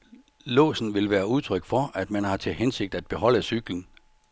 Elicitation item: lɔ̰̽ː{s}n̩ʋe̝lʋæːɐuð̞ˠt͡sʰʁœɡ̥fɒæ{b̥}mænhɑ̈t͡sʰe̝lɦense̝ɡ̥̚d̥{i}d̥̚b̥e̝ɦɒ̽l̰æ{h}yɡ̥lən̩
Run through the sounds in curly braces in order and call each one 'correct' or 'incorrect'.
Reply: correct, incorrect: d̥, incorrect: æ, incorrect: s

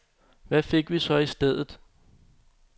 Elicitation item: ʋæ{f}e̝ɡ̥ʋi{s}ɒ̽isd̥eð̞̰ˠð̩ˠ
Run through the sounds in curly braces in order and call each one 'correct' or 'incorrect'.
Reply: correct, correct

